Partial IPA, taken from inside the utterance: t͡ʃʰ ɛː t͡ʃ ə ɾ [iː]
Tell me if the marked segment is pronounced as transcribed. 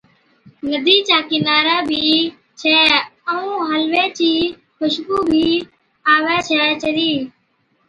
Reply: yes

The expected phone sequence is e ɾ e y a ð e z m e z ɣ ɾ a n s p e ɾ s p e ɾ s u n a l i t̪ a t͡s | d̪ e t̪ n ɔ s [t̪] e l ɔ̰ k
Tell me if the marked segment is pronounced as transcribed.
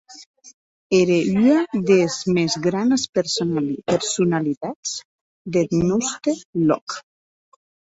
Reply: yes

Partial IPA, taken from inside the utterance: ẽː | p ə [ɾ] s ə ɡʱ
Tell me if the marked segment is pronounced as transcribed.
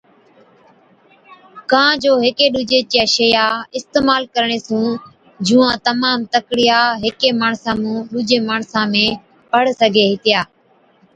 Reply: no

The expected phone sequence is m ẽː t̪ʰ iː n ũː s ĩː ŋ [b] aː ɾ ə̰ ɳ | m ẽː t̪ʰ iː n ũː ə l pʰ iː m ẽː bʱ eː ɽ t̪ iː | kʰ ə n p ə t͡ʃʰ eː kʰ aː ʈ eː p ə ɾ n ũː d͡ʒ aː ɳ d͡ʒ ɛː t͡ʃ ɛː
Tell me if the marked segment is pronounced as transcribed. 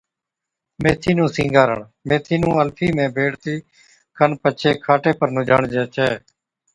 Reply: no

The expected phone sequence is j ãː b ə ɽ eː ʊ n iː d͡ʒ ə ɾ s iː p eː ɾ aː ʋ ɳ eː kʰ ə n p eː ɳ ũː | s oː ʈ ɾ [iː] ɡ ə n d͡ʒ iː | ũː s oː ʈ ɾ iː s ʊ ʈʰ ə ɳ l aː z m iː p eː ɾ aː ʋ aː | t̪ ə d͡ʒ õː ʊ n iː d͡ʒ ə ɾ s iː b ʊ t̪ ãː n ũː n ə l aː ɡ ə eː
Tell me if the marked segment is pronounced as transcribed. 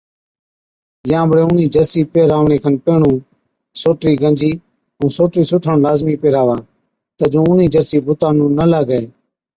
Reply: yes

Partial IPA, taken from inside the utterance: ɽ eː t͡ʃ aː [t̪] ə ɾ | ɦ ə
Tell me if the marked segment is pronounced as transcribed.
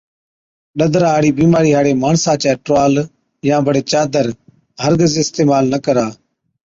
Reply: no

